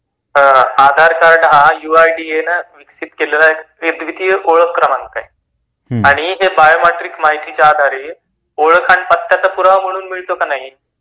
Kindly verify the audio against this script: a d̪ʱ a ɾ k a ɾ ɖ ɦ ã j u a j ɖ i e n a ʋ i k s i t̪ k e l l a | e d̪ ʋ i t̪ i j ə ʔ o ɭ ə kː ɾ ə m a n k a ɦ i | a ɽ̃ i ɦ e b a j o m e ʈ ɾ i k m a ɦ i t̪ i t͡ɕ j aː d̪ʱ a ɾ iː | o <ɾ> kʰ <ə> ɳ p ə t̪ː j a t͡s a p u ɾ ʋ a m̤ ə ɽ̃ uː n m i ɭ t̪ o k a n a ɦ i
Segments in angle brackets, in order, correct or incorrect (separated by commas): incorrect, incorrect